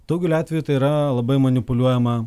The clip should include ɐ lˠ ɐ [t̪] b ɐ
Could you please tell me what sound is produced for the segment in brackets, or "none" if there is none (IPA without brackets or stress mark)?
none